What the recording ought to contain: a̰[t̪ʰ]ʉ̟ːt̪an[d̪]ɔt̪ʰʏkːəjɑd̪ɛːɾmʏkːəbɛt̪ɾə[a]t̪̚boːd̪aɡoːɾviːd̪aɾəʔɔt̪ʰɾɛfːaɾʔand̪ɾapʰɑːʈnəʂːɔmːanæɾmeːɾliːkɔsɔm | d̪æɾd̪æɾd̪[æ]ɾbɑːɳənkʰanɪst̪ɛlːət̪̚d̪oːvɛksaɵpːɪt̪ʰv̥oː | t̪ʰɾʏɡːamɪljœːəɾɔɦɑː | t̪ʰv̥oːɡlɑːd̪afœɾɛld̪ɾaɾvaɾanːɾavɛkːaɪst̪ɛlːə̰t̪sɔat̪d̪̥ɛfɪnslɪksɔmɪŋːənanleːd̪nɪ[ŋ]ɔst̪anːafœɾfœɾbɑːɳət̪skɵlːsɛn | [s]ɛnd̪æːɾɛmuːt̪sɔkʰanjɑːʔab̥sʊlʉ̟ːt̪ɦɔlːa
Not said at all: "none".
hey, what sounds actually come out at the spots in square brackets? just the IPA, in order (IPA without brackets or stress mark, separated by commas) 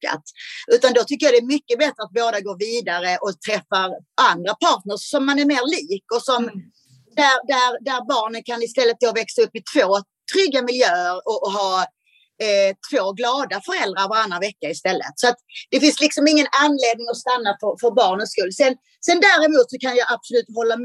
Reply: t̪, d̪, a, æ, ŋ, s